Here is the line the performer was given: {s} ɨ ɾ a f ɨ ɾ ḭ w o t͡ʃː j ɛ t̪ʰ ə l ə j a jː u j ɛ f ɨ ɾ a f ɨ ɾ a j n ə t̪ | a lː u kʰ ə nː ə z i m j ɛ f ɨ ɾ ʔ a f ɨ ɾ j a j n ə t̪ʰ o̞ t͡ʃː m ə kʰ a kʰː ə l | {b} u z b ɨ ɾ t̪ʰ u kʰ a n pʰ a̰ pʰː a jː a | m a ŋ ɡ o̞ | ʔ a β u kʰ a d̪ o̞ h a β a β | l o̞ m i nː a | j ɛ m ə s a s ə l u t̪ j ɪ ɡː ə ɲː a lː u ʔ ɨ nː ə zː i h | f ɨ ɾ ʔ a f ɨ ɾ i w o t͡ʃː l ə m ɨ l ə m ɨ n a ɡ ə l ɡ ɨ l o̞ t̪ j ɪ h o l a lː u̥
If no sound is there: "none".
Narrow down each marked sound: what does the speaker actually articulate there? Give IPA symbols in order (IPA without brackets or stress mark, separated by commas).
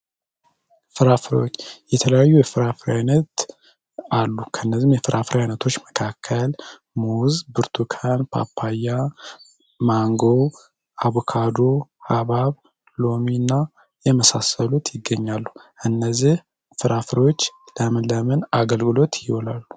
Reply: f, m